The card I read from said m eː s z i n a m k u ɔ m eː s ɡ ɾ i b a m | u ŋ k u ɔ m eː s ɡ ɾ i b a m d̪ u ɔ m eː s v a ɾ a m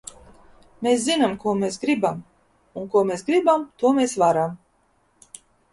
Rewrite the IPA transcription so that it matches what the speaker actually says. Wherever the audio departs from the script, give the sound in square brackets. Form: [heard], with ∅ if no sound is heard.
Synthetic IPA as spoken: m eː s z i n a m k u ɔ m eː s ɡ ɾ i b a m | u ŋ k u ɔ m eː s ɡ ɾ i b a m [t̪] u ɔ m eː s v a ɾ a m